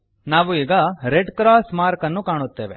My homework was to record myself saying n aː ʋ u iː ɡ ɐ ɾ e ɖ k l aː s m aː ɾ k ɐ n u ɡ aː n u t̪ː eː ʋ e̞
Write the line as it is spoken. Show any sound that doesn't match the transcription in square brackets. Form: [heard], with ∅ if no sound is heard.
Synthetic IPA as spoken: n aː ʋ u iː ɡ ɐ ɾ e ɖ k [ɾ] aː s m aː ɾ k ɐ [nː] u [k] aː [ɳ] u t̪ː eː ʋ e̞